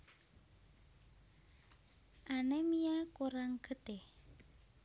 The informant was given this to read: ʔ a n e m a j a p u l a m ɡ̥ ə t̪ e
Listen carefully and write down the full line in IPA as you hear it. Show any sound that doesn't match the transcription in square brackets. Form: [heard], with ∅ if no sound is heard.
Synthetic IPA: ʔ a n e m [i] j a [k] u [ɾ] a [ŋ] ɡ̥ ə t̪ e